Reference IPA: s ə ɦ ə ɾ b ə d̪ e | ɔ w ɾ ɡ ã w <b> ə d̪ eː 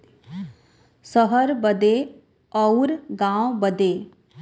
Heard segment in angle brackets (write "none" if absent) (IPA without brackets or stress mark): b